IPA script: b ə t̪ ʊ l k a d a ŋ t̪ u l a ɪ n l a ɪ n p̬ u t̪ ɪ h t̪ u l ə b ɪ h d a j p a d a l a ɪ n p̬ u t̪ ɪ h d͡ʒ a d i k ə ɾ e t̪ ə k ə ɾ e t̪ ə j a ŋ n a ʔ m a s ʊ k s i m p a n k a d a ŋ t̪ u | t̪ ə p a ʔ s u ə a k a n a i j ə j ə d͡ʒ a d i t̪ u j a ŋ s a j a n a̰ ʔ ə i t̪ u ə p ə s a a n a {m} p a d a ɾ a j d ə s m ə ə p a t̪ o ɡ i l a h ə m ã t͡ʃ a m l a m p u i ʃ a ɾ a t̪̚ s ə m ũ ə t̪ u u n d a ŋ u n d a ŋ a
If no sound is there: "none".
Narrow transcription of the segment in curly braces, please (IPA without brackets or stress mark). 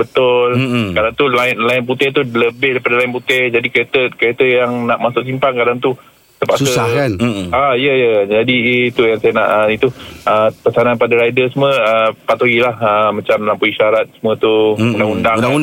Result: n